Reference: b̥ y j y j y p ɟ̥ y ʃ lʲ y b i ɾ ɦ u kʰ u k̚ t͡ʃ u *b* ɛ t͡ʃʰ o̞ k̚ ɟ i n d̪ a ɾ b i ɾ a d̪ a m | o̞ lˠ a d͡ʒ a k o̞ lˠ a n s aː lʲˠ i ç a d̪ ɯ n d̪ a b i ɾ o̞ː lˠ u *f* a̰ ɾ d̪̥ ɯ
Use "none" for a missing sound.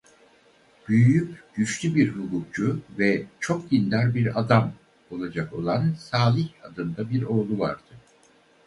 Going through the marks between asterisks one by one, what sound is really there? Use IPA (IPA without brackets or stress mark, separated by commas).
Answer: v, v